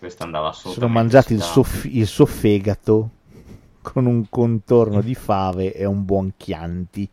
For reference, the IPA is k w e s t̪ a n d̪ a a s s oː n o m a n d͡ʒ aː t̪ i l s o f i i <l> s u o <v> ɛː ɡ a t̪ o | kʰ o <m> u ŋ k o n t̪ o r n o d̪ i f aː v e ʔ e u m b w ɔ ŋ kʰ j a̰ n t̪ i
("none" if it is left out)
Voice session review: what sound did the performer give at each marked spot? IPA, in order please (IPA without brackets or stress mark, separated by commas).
l, f, n